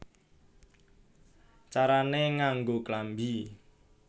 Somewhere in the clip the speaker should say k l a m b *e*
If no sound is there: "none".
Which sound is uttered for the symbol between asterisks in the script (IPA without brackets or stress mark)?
i